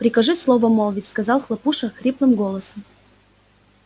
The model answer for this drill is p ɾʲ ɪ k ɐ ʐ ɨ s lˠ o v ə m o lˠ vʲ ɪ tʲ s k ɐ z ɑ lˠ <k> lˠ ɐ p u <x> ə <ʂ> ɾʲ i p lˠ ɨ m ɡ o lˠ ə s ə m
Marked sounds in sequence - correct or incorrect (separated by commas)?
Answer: incorrect, incorrect, incorrect